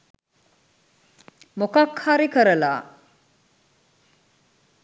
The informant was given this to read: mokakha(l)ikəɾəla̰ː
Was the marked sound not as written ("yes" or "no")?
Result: yes